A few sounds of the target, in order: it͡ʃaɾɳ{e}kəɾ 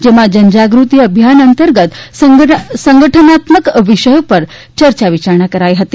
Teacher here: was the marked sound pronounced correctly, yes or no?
no